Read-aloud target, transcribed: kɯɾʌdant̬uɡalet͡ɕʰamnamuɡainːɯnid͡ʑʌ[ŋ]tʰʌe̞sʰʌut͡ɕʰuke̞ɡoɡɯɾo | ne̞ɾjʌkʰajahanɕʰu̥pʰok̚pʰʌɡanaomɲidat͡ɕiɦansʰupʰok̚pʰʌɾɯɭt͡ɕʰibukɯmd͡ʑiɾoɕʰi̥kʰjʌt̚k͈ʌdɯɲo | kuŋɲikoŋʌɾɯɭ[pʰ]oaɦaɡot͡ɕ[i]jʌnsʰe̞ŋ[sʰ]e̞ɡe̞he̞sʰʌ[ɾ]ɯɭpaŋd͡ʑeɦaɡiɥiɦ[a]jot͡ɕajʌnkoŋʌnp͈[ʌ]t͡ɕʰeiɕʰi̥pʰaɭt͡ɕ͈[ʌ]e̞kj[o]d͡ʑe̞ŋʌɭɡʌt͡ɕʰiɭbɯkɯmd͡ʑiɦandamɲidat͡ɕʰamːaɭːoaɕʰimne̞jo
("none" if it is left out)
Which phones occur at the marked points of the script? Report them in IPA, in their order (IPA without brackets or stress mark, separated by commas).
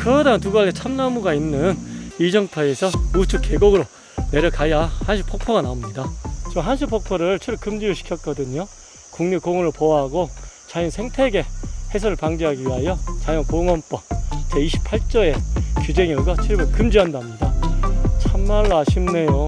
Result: ŋ, p, a, tʰ, ɾ, a, ʌ, ʌ, u